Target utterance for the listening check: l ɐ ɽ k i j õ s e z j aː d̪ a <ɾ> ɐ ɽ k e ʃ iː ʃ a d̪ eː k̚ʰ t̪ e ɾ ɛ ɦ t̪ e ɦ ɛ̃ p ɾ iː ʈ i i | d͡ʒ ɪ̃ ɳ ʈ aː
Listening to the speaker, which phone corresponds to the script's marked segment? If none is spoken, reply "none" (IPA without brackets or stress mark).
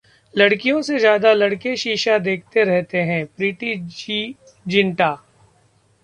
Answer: l